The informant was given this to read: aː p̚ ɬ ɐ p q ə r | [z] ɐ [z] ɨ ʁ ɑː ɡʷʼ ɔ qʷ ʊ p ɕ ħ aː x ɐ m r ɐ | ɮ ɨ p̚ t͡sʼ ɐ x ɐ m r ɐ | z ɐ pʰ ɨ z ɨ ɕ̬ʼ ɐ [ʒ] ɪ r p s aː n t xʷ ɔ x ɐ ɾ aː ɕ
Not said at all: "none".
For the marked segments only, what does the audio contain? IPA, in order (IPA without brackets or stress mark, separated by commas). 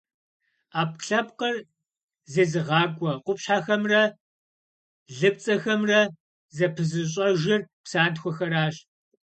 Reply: z, z, ʒ